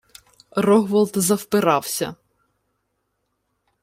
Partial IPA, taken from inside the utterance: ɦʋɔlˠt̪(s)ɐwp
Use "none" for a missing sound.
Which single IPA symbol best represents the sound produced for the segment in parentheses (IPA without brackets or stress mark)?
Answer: z